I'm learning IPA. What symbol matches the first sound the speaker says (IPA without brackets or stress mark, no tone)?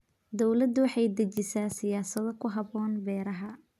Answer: d̪